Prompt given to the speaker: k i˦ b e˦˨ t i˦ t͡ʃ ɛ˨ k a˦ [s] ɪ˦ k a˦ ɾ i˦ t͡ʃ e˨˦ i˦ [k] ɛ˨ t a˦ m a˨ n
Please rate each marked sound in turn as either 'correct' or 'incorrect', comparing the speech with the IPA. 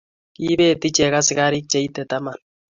correct, incorrect: t

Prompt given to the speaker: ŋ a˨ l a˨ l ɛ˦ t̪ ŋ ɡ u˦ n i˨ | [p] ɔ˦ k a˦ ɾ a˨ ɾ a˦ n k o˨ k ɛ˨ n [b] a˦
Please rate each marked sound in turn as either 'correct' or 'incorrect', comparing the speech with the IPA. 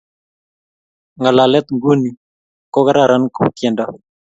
incorrect: k, incorrect: d

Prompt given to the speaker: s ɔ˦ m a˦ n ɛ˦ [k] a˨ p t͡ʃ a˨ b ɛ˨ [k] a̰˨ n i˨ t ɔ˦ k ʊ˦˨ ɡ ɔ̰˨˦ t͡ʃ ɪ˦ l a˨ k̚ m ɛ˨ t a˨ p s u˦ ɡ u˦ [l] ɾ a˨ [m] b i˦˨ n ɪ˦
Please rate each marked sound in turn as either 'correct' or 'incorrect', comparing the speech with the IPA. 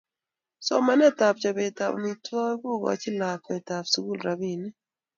incorrect: t, incorrect: t, correct, incorrect: none

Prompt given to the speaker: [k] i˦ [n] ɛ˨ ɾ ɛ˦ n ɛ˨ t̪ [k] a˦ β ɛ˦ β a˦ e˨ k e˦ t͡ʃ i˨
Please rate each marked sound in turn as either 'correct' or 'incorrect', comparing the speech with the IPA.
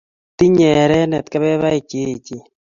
incorrect: t, incorrect: ɲ, correct

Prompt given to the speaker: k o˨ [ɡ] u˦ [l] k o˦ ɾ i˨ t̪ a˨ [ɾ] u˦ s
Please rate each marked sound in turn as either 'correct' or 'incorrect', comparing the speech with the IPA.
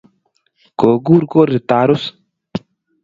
correct, incorrect: ɾ, correct

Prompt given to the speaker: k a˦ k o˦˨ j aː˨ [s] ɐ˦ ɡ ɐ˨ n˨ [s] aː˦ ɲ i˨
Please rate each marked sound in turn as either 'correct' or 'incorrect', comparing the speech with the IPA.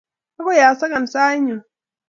correct, correct

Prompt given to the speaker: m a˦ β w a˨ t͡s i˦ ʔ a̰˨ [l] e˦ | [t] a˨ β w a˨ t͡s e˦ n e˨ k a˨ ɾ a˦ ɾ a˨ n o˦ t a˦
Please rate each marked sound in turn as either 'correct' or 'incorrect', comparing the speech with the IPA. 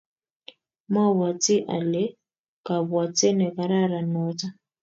correct, incorrect: k

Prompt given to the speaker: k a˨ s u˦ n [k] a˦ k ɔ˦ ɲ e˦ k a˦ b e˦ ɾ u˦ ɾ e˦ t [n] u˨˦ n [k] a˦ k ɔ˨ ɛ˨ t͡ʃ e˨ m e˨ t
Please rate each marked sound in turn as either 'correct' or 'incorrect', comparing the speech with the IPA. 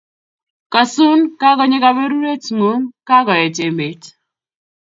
correct, incorrect: ŋ, correct

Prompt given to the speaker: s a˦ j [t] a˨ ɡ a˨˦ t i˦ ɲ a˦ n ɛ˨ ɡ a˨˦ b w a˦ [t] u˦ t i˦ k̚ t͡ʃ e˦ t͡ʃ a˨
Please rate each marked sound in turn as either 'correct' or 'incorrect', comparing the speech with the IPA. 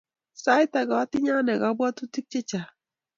correct, correct

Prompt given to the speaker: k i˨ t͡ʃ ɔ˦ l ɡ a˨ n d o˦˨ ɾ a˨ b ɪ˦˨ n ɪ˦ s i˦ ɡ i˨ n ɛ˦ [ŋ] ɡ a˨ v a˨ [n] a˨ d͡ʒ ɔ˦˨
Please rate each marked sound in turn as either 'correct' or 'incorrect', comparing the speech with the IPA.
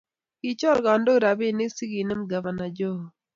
incorrect: m, correct

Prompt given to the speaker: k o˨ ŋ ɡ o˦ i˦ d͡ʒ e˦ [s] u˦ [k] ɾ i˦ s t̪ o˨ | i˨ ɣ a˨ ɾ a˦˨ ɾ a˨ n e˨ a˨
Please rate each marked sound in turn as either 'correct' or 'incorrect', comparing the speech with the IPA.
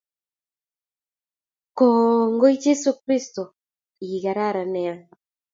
correct, correct

